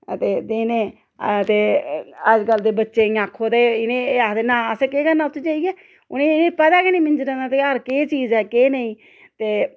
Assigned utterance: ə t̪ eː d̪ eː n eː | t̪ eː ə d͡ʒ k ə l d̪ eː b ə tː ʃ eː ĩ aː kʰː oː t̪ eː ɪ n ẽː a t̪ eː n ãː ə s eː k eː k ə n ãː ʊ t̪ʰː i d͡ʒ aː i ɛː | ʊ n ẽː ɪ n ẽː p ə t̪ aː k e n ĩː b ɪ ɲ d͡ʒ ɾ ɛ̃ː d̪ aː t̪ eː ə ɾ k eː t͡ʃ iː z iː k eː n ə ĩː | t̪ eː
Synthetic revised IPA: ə t̪ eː d̪ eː n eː | t̪ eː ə d͡ʒ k ə l d̪ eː b ə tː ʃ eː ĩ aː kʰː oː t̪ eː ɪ n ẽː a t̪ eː n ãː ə s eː k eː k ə n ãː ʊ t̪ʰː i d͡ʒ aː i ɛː | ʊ n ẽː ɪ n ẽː p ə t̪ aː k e n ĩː m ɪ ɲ d͡ʒ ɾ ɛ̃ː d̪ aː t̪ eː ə ɾ k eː t͡ʃ iː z ɛː k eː n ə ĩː | t̪ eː